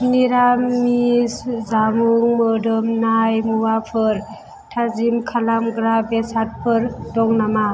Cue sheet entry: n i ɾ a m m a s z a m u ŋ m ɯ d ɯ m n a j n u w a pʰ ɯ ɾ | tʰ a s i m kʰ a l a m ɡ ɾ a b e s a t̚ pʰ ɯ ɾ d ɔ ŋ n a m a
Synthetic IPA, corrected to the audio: n i ɾ a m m i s z a m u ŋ m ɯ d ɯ m n a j m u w a pʰ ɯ ɾ | tʰ a z i m kʰ a l a m ɡ ɾ a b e s a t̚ pʰ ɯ ɾ d ɔ ŋ n a m a

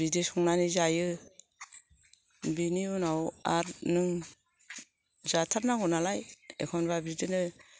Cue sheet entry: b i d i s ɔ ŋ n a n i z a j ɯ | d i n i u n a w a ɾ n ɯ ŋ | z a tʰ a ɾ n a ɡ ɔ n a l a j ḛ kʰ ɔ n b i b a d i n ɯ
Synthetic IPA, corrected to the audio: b i d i s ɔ ŋ n a n i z a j ɯ | b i n i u n a w a ɾ n ɯ ŋ | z a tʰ a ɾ n a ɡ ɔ n a l a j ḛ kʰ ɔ n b a b i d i n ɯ

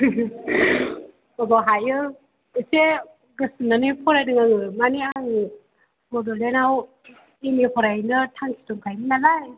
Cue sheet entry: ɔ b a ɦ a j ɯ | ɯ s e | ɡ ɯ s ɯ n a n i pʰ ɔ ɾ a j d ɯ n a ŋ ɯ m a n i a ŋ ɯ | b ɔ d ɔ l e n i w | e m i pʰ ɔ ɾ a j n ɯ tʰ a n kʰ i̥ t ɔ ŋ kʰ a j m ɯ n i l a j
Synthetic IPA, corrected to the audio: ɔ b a ɦ a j ɯ | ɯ s e | ɡ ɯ s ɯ n a n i pʰ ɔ ɾ a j d ɯ ŋ a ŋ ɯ m a n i a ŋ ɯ | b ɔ d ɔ l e n a w | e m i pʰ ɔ ɾ a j n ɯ tʰ a ŋ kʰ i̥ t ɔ ŋ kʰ a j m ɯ n a l a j

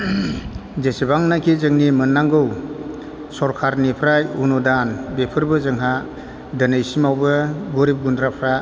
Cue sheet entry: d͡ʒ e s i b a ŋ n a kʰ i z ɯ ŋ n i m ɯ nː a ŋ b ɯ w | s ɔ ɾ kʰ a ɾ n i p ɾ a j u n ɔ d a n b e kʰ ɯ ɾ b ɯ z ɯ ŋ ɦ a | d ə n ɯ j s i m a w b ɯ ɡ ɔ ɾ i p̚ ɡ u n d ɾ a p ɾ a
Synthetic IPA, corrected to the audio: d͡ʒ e s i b a ŋ n a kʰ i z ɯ ŋ n i m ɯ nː a ŋ ɡ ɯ w | s ɔ ɾ kʰ a ɾ n i pʰ ɾ a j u n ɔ d a n b e pʰ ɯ ɾ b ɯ z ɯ ŋ ɦ a | d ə n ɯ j s i m a w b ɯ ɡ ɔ ɾ i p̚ ɡ u n d ɾ a pʰ ɾ a

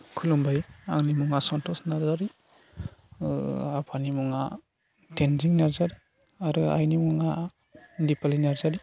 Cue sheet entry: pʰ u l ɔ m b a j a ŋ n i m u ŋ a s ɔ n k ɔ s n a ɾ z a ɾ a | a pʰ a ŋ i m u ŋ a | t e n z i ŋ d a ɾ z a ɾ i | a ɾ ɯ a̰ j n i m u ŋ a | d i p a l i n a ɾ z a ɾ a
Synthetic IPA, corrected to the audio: kʰ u l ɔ m b a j a ŋ n i m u ŋ a s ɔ n t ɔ s n a ɾ z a ɾ i | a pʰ a n i m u ŋ a | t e n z i ŋ n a ɾ z a ɾ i | a ɾ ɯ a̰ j n i m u ŋ a | d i p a l i n a ɾ z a ɾ i

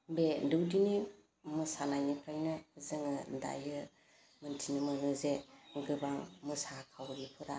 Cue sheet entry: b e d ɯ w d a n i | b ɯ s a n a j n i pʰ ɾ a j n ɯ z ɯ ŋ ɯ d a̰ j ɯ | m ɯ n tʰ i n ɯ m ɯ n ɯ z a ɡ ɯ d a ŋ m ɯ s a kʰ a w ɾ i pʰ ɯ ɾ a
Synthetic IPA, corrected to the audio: b e d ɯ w d i n i | m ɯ s a n a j n i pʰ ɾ a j n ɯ z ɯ ŋ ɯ d a̰ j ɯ | m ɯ n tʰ i n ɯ m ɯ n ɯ z e ɡ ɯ b a ŋ m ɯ s a kʰ a w ɾ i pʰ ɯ ɾ a

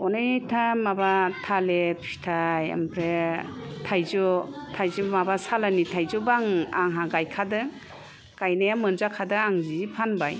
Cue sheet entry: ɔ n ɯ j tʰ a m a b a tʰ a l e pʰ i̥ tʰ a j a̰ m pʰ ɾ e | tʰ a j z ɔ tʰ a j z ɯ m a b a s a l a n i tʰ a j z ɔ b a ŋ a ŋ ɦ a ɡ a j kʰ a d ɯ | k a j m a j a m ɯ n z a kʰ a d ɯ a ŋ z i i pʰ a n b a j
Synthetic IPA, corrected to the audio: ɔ n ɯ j tʰ a m a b a tʰ a l e pʰ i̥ tʰ a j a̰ m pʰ ɾ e | tʰ a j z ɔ tʰ a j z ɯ m a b a s a l a n i tʰ a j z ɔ b a ŋ a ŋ ɦ a ɡ a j kʰ a d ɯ | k a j n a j a m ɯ n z a kʰ a d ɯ a ŋ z i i pʰ a n b a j

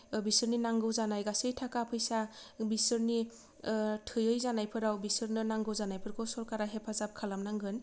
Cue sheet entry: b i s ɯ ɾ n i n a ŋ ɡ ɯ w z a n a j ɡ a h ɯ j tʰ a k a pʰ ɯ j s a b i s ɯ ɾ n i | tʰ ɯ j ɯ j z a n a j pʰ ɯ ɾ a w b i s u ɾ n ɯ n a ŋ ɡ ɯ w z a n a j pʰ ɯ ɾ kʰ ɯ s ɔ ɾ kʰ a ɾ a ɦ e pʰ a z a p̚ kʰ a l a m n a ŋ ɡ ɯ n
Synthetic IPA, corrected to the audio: b i s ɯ ɾ n i n a ŋ ɡ ɯ w z a n a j ɡ a s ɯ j tʰ a k a pʰ ɯ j s a b i s ɯ ɾ n i | tʰ ɯ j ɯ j z a n a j pʰ ɯ ɾ a w b i s ɯ ɾ n ɯ n a ŋ ɡ ɯ w z a n a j pʰ ɯ ɾ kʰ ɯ s ɔ ɾ k a ɾ a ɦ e pʰ a z a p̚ kʰ a l a m n a ŋ ɡ ɯ n

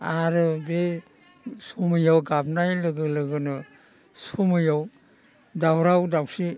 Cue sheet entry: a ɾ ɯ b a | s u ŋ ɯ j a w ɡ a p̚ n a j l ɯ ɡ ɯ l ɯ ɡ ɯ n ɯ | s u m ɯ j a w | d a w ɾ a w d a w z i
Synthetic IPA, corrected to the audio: a ɾ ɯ b e | s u m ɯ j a w ɡ a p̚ n a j l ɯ ɡ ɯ l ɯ ɡ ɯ n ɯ | s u m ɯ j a w | d a w ɾ a w d a w s i

